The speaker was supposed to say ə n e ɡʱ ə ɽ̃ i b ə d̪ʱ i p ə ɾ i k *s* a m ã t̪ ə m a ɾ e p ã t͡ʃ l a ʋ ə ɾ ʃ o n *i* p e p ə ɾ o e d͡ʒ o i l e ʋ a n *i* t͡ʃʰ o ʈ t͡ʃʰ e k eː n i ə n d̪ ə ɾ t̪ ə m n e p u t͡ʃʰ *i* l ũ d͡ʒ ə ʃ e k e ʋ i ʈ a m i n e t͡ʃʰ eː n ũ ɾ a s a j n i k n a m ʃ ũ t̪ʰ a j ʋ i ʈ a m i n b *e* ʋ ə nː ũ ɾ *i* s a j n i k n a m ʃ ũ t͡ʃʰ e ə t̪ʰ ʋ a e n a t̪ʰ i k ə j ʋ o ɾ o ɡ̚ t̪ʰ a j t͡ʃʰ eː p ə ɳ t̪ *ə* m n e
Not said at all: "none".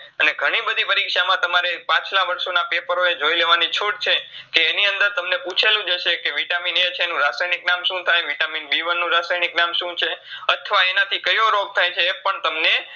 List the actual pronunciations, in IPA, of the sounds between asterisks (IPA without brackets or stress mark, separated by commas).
ʃ, a, i, e, i, a, ə